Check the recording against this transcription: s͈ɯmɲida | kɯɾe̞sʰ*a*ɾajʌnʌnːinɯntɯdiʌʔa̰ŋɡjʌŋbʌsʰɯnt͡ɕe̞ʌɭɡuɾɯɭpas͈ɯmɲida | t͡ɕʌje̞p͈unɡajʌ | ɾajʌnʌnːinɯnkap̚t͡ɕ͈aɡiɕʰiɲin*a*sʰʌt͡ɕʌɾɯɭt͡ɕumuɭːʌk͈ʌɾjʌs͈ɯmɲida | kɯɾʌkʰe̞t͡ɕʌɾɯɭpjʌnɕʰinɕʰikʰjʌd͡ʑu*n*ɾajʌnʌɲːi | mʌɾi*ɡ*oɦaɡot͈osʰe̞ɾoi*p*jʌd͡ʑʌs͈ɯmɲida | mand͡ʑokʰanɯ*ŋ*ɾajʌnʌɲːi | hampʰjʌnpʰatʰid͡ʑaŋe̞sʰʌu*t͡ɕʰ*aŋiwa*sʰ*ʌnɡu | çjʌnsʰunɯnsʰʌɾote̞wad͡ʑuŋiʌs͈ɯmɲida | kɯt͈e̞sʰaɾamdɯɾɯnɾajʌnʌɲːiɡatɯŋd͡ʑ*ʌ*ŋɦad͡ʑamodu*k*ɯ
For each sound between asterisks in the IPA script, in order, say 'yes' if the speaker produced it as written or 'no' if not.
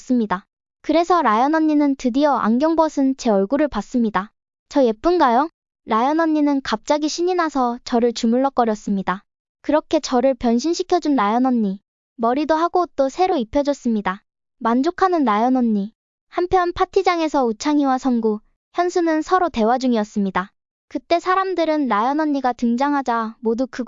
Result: no, yes, yes, no, no, no, yes, yes, no, yes

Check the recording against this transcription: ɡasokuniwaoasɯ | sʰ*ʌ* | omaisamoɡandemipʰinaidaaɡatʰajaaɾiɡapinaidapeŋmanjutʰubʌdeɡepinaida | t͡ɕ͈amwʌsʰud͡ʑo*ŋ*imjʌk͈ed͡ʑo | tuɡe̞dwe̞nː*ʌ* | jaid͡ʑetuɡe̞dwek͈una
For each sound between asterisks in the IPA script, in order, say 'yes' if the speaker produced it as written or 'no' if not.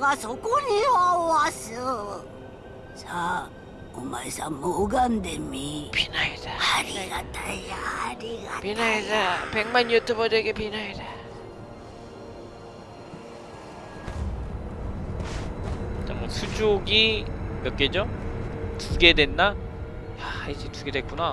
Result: no, no, no

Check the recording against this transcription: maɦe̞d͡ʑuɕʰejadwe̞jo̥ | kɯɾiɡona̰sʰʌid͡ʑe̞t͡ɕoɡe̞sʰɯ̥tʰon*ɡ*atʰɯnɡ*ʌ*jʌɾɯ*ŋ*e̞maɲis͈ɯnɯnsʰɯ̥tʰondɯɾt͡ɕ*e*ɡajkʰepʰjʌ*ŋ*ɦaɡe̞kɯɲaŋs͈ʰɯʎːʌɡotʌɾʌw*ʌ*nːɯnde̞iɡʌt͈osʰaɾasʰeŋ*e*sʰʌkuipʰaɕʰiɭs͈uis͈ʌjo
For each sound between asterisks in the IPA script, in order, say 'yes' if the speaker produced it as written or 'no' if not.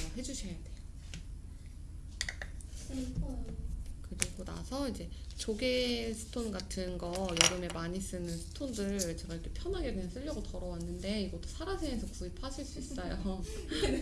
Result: yes, yes, no, yes, no, no, yes

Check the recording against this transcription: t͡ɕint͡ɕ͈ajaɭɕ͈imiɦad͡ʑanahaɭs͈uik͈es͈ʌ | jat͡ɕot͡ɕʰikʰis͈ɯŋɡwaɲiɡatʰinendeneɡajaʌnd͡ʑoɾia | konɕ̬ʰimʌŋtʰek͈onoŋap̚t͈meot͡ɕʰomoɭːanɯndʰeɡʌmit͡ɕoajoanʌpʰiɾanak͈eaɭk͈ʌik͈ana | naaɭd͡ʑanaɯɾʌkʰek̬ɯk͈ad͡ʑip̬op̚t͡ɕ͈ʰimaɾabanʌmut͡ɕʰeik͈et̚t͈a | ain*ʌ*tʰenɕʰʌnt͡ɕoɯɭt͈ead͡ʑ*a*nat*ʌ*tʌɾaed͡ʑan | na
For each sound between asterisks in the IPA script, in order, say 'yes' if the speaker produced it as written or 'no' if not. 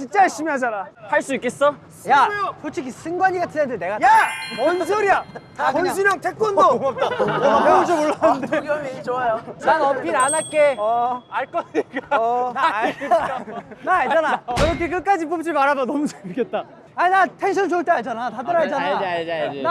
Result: no, yes, no

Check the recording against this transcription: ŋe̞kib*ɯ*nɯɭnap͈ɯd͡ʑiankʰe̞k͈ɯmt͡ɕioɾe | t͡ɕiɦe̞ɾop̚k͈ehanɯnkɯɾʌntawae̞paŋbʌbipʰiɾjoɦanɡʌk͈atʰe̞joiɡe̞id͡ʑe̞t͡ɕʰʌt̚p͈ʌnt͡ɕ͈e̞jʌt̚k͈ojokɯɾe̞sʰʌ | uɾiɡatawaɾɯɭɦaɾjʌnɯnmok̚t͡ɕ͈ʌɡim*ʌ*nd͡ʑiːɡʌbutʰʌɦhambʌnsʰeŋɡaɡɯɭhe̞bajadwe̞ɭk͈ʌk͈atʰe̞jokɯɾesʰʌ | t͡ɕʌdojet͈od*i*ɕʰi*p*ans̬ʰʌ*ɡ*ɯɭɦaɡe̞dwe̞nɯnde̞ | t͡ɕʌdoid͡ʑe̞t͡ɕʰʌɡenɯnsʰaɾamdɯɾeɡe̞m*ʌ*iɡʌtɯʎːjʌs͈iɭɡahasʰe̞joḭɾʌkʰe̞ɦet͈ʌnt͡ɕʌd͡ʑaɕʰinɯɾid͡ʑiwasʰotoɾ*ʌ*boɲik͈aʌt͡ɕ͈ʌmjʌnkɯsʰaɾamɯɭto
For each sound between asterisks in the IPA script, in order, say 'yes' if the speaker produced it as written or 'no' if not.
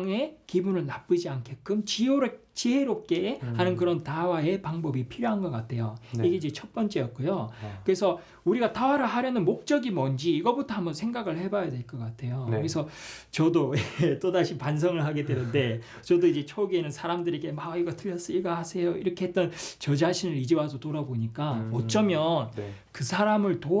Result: no, yes, no, yes, no, no, no

